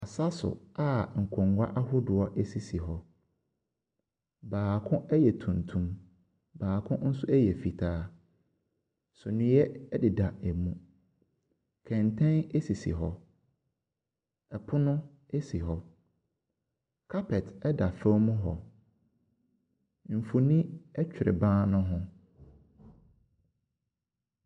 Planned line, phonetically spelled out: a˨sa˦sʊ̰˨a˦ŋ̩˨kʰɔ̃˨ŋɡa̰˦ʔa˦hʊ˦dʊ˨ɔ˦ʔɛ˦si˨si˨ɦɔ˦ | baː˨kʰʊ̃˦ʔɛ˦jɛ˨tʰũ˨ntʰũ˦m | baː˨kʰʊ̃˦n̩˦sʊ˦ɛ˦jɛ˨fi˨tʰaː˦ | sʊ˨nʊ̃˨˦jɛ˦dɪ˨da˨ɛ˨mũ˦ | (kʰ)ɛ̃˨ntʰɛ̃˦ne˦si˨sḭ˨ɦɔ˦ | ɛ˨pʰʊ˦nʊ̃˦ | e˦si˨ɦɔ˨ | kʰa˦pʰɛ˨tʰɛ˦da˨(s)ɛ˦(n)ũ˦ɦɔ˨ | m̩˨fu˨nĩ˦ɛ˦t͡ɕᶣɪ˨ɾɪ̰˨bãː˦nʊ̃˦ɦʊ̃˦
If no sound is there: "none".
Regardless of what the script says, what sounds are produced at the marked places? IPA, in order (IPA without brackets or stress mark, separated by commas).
kʰ, f, m